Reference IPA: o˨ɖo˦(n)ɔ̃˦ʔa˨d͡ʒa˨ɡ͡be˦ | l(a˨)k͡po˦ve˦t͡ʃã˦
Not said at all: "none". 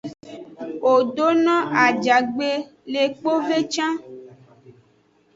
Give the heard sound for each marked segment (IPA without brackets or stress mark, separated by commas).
n, e˨